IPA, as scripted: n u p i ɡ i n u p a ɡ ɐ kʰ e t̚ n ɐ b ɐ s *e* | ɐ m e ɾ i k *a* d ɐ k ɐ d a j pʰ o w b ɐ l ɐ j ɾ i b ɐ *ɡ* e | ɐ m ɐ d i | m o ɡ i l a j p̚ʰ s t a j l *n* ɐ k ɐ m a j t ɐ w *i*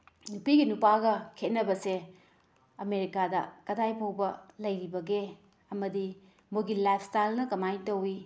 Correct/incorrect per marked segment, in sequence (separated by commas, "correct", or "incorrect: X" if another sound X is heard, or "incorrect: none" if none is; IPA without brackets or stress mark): correct, correct, correct, correct, correct